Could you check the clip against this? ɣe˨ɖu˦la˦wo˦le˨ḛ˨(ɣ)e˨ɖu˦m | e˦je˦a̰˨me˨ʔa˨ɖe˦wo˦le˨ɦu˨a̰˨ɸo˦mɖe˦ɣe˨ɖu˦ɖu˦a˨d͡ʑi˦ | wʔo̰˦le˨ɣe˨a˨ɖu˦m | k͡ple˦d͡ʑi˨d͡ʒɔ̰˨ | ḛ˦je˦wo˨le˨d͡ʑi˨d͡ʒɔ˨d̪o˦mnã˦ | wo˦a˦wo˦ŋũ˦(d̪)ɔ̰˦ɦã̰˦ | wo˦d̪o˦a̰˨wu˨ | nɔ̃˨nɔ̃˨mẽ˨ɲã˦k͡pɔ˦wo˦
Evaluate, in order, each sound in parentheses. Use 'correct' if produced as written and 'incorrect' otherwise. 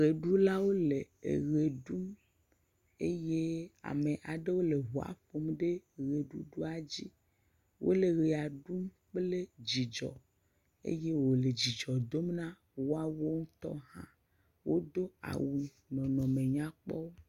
correct, incorrect

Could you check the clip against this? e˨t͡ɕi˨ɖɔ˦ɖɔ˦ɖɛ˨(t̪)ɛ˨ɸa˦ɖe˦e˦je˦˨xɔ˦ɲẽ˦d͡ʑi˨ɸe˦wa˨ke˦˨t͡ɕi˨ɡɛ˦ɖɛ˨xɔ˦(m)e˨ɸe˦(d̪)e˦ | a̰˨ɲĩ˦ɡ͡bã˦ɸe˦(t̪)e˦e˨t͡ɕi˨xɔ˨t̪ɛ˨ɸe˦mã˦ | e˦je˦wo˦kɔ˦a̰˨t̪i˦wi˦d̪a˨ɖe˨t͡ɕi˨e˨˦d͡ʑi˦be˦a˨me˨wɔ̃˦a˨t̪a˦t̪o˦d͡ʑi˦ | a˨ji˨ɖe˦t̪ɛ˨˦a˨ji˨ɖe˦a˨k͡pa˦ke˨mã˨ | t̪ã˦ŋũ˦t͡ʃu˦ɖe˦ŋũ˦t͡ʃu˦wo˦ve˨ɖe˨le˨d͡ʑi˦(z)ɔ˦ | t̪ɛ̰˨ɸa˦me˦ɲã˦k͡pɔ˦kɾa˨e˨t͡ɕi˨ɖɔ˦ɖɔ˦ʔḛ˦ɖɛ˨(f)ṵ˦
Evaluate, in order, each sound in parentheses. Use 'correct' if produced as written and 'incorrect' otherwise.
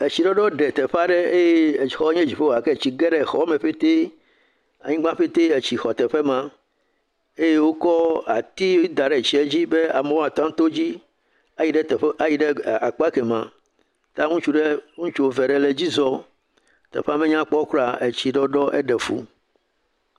correct, correct, incorrect, correct, correct, correct

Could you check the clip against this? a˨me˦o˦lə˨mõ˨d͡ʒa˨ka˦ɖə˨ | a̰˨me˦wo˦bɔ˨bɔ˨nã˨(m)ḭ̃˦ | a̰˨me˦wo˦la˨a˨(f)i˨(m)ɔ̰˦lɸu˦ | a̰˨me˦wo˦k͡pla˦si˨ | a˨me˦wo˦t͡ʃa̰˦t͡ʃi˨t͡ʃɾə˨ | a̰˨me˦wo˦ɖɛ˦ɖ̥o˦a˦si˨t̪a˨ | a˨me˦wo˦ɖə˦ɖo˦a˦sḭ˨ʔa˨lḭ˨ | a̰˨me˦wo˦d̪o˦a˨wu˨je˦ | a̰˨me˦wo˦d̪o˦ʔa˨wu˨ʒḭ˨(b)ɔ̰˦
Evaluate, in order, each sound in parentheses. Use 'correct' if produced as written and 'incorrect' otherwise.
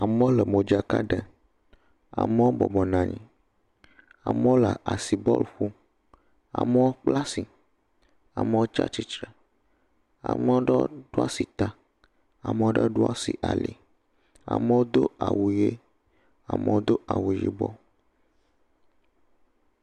incorrect, incorrect, incorrect, correct

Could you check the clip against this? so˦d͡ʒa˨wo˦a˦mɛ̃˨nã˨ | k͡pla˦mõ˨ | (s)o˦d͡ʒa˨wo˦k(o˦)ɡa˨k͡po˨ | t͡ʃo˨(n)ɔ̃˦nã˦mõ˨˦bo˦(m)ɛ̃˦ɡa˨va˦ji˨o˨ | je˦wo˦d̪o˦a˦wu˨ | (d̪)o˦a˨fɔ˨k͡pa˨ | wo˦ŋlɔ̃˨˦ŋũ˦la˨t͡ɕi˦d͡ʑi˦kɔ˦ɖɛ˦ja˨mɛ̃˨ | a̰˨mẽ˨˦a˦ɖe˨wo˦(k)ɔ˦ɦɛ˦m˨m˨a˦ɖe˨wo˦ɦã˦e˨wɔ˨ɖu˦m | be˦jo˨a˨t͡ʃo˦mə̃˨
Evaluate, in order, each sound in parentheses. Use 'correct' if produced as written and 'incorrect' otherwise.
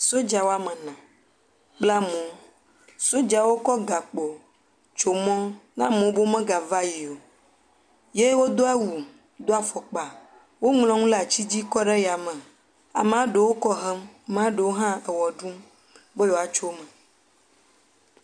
correct, incorrect, incorrect, correct, correct, correct

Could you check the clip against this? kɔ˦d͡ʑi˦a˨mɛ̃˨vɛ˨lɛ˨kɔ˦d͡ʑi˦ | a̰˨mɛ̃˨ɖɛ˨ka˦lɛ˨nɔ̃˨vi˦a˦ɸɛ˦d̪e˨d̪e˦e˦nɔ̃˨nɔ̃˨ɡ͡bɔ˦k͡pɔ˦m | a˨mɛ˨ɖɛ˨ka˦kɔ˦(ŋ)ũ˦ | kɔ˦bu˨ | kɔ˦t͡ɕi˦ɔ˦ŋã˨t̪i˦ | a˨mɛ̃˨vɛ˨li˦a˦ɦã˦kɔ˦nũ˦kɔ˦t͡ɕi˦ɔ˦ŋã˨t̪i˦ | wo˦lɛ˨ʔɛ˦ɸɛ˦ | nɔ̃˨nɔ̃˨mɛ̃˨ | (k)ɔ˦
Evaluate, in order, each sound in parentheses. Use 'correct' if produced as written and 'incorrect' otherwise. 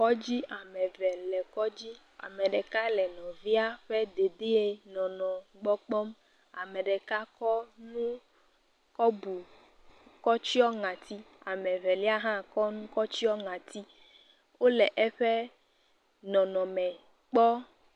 incorrect, incorrect

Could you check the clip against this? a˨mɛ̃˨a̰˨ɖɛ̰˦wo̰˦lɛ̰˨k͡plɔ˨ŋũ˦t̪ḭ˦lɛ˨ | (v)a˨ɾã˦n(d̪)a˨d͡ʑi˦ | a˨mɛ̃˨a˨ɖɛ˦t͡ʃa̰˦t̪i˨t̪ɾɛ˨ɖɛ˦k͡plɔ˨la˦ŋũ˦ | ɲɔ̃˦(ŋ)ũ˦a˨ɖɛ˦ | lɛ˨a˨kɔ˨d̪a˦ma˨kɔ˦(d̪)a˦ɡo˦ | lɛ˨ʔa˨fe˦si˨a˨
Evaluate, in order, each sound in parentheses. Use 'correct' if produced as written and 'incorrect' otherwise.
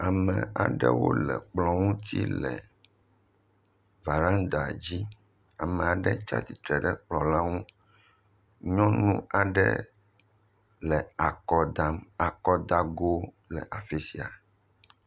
correct, correct, incorrect, correct

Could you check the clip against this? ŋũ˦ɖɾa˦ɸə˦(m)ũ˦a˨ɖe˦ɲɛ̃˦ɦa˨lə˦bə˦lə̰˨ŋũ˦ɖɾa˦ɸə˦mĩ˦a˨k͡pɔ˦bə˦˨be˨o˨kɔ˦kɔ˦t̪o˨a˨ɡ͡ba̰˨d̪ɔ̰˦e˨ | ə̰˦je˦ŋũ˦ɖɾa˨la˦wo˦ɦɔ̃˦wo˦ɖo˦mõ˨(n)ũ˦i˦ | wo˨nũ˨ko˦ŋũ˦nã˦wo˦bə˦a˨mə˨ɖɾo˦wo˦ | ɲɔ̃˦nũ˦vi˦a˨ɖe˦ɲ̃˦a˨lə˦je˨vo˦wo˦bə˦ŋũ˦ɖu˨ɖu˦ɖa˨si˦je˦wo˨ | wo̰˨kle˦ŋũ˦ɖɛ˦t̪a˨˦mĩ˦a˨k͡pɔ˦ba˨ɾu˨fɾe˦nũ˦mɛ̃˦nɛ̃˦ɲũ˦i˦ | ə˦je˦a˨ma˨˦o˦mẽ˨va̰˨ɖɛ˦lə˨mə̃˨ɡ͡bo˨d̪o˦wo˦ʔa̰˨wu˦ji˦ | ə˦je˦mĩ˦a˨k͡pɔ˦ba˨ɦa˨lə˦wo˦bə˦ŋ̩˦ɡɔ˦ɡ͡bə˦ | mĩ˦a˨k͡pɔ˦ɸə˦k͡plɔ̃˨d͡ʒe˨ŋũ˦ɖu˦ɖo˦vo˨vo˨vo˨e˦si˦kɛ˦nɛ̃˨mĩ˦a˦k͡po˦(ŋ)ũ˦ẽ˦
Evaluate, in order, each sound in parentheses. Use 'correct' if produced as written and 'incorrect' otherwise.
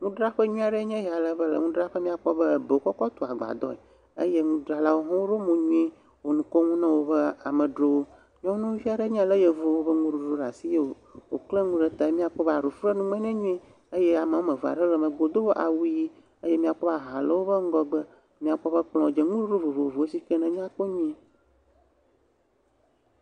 incorrect, incorrect, incorrect

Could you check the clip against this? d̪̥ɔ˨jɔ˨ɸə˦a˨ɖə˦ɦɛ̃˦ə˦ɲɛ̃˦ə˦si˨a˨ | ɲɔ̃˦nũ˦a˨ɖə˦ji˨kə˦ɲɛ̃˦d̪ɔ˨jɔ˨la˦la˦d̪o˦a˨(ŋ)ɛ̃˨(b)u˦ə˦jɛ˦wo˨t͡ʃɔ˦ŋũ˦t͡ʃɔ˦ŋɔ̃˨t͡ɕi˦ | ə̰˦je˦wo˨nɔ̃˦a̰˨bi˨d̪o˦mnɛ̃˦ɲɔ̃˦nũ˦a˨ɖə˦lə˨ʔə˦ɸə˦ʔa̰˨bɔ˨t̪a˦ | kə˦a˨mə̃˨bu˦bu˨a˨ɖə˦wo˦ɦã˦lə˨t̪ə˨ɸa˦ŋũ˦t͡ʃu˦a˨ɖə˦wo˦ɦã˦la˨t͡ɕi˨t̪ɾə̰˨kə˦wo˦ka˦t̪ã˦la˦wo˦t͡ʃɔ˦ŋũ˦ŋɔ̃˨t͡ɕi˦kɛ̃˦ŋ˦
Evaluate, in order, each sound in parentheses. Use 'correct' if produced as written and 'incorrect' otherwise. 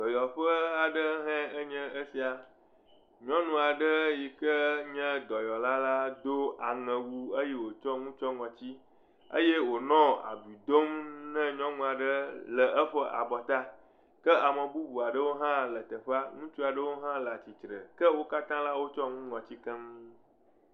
correct, incorrect

